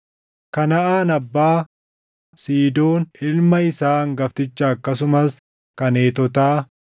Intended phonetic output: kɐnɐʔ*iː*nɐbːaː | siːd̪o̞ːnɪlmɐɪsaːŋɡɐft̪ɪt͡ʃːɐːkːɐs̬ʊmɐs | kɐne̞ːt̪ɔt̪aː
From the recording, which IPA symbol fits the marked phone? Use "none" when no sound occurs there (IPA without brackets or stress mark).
aː